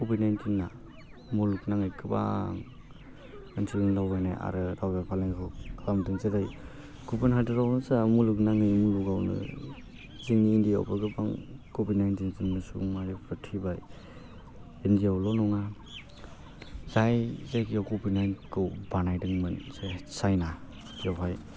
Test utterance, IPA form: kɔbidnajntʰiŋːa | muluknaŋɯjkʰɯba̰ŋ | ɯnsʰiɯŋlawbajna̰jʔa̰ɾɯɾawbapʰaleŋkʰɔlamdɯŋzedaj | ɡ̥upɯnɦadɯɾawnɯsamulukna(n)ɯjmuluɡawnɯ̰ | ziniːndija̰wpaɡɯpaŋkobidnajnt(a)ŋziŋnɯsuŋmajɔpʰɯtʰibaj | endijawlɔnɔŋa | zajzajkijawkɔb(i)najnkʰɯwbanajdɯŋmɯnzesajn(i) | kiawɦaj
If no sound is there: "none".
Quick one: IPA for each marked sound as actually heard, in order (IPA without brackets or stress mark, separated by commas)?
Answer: ŋ, i, i, a